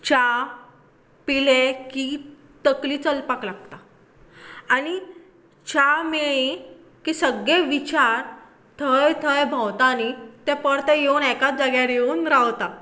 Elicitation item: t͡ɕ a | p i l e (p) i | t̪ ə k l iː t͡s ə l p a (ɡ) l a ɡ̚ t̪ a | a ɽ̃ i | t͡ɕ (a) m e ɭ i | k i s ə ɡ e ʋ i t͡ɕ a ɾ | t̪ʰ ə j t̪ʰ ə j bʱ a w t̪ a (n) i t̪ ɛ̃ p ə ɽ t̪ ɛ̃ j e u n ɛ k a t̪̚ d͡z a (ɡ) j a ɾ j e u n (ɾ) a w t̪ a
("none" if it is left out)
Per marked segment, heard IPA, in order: k, k, a, n, ɡ, ɾ

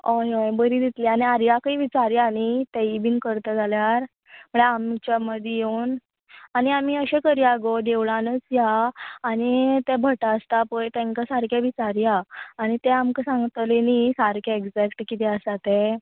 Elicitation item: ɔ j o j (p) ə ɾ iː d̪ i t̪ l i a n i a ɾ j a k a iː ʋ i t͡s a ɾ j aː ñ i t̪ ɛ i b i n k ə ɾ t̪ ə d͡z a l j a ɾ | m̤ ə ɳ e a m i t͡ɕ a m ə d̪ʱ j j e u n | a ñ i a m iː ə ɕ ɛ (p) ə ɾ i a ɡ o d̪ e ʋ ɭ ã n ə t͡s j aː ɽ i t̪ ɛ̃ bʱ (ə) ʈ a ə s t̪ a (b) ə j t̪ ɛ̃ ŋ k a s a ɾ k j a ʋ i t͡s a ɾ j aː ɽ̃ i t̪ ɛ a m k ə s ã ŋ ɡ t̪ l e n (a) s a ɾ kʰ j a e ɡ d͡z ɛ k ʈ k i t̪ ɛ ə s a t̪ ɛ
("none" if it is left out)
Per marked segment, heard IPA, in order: b, k, ə, p, i

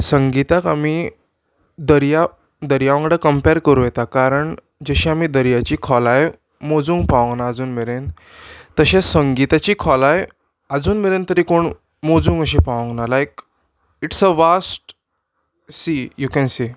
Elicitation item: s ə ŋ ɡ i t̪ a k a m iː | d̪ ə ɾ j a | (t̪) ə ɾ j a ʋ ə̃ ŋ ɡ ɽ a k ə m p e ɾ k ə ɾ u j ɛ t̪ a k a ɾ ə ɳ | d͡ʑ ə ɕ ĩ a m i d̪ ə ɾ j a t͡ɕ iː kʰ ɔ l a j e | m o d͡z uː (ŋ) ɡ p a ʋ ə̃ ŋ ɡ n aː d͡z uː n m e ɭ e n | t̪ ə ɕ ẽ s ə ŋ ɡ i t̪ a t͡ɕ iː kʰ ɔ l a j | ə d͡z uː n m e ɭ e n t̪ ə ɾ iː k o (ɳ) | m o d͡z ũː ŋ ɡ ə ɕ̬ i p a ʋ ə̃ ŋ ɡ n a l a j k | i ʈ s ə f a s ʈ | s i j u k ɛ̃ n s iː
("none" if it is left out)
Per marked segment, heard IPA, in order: d̪, ŋ, ɳ

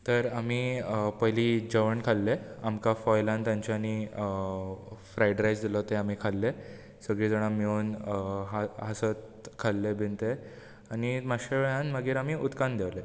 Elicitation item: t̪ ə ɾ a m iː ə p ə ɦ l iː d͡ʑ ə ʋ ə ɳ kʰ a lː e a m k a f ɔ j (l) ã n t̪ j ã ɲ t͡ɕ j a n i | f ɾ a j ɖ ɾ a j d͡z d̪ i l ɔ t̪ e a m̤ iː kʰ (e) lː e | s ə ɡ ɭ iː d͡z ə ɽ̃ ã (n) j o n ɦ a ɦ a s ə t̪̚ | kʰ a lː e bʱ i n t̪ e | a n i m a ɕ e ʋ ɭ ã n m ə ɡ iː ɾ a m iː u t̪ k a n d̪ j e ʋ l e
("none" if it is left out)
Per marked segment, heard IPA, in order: l, a, m

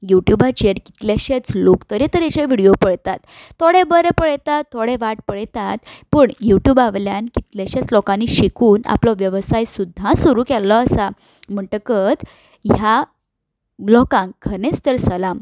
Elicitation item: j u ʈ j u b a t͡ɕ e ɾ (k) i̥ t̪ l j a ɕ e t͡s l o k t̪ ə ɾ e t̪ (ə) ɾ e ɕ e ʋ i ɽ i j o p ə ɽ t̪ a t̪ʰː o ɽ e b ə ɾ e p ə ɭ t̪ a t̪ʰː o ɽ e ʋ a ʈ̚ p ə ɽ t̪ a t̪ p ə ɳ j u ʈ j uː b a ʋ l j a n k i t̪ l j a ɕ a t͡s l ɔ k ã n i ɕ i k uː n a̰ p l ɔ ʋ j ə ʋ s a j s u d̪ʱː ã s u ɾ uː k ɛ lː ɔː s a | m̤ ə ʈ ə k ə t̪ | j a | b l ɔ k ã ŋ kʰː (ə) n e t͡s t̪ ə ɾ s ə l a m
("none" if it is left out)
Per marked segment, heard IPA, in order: k, ə, ə

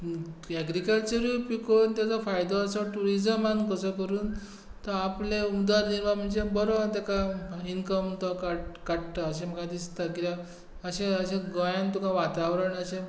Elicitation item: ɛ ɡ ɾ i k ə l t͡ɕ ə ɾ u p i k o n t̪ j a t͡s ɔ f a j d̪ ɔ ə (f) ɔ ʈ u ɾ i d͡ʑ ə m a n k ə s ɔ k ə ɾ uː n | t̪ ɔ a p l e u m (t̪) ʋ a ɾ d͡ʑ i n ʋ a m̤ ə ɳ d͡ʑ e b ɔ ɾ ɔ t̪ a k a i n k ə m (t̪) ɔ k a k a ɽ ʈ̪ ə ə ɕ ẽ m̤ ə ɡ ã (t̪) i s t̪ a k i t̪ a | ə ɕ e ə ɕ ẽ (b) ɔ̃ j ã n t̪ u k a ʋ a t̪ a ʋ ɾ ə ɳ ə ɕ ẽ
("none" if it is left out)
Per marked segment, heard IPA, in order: s, d̪, t̪, d̪, ɡ

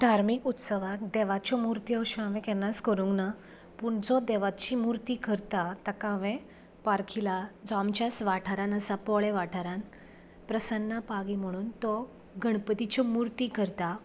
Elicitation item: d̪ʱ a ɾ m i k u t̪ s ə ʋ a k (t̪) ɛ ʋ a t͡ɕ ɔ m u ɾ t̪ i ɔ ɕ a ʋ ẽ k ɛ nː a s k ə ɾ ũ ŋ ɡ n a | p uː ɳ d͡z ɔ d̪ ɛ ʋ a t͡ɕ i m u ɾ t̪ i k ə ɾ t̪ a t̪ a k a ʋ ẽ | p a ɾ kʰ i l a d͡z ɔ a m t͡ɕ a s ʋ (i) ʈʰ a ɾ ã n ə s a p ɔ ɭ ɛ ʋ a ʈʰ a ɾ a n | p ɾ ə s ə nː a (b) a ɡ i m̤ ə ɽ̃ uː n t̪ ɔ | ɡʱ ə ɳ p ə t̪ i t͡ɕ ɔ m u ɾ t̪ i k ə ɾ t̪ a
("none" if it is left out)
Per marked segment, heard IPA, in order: d̪, a, p

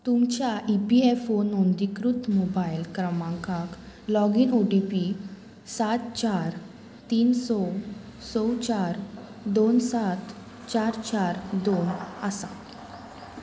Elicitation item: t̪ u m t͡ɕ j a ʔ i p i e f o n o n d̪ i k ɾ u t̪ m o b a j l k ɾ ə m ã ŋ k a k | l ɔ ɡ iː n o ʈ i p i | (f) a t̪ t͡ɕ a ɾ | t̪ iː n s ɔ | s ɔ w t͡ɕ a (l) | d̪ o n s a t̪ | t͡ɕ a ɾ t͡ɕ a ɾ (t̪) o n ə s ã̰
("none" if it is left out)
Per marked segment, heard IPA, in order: s, ɾ, d̪

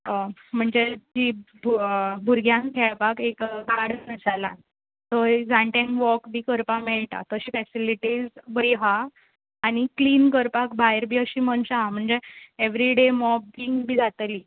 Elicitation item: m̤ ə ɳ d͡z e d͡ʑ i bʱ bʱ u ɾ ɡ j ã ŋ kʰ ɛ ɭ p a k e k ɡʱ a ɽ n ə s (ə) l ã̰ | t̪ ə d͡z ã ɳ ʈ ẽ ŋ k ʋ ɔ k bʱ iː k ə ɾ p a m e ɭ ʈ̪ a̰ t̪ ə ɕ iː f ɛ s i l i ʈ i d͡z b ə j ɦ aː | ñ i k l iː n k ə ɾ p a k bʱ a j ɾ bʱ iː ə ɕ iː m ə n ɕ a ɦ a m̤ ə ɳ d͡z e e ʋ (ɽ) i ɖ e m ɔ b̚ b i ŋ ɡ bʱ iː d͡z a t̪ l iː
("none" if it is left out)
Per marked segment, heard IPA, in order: a, ɾ

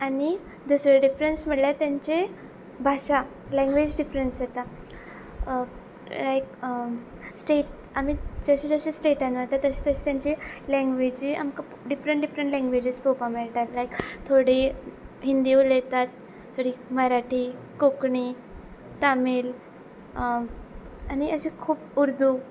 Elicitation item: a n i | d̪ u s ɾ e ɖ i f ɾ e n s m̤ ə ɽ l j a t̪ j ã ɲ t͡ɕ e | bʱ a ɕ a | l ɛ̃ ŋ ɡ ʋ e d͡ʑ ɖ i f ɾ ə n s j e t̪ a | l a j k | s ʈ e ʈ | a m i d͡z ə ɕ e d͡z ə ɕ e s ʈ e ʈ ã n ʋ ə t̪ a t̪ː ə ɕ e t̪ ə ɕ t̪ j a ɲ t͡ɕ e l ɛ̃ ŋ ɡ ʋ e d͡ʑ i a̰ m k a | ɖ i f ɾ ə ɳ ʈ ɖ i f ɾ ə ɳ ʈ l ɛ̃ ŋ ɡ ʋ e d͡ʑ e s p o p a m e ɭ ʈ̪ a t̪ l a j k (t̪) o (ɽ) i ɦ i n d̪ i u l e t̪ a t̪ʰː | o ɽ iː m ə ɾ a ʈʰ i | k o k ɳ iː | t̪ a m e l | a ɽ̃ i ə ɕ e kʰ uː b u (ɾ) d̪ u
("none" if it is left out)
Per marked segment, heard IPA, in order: t̪ʰ, ɽ, ɾ

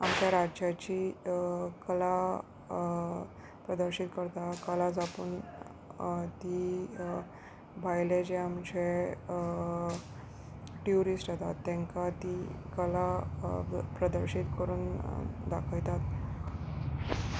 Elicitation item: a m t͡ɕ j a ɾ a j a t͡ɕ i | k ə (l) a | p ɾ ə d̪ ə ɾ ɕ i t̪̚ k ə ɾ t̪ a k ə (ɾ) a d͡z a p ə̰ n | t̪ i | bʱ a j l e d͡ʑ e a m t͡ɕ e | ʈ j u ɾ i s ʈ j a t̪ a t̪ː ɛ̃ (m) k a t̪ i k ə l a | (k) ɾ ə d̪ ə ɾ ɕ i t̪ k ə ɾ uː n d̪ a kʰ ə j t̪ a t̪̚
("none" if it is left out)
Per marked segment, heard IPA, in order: l, l, ŋ, p

